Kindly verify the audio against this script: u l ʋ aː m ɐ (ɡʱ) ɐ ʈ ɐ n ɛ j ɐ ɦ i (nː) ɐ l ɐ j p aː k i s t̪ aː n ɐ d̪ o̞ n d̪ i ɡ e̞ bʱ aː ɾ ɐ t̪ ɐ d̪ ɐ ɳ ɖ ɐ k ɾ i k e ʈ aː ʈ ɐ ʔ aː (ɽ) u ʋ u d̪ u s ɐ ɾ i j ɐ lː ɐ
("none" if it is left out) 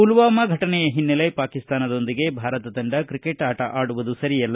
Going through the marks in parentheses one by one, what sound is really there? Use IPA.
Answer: ɡʱ, nː, ɽ

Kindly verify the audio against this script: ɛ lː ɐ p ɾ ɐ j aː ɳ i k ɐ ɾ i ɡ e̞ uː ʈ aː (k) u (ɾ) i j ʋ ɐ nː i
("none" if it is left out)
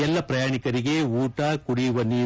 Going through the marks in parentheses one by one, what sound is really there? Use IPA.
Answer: k, ɽ

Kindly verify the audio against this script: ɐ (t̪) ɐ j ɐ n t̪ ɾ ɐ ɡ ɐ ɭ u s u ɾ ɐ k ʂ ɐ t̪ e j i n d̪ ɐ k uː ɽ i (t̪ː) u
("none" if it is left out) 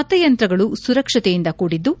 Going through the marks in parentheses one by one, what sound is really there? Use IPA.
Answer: t̪, d̪ː

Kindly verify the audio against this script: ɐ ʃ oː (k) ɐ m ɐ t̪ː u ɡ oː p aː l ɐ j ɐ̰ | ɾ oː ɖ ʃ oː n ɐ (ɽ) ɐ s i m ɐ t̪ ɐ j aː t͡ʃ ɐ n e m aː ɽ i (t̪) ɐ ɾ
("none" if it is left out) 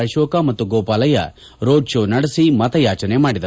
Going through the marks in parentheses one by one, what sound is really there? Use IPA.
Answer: k, ɽ, d̪

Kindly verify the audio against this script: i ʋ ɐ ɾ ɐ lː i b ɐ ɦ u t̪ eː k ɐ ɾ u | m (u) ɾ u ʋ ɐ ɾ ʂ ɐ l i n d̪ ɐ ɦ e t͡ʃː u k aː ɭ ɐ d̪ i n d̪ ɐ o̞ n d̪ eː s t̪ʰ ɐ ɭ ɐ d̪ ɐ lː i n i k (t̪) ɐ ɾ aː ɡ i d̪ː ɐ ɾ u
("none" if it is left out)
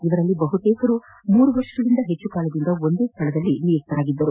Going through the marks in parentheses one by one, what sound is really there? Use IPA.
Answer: uː, t̪

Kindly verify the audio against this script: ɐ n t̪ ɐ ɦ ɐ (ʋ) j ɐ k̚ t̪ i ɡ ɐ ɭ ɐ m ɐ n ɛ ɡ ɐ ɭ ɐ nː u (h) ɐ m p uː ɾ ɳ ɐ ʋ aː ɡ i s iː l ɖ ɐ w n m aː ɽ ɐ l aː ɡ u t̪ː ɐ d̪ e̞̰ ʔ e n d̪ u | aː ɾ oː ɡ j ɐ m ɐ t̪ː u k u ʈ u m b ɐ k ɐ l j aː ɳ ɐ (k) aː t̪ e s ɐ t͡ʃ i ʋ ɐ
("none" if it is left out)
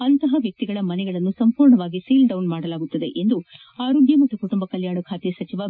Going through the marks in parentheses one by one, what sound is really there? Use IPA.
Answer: ʋ, s, kʰ

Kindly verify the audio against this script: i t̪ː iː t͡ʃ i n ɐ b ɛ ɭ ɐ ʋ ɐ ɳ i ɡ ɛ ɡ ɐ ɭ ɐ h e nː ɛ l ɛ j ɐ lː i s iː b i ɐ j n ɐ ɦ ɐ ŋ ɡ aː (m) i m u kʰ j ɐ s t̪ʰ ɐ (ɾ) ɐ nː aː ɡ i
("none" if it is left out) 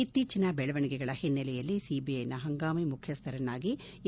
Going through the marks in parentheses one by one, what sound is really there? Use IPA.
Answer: m, ɾ

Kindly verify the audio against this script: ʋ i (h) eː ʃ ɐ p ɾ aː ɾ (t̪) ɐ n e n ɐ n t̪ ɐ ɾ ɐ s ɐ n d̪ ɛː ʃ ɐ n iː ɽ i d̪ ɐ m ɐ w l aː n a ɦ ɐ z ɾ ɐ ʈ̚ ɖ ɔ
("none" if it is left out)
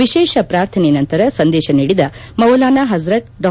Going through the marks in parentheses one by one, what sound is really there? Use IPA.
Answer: ʃ, t̪ʰ

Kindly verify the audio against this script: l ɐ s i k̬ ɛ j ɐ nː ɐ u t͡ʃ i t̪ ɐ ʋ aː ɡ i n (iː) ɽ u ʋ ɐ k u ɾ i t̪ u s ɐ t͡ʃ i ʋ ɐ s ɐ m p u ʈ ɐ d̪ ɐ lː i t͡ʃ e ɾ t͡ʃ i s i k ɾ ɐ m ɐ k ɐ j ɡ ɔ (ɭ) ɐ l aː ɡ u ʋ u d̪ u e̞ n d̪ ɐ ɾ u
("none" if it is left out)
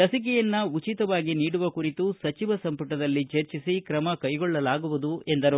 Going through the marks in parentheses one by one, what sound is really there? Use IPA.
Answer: iː, ɭː

